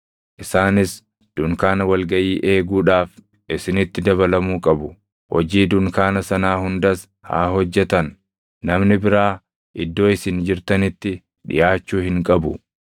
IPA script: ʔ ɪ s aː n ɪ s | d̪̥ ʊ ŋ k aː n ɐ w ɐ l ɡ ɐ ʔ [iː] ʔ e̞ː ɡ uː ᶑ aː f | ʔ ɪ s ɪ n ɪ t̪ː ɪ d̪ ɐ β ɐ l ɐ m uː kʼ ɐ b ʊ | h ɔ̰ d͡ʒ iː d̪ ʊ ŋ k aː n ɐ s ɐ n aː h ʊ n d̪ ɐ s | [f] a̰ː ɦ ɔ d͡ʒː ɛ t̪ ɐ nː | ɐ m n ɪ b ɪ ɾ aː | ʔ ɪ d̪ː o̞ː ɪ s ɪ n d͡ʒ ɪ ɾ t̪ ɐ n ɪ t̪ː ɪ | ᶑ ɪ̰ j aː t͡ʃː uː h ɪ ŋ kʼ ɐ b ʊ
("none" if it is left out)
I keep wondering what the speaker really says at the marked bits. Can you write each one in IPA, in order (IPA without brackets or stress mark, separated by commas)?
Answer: iː, h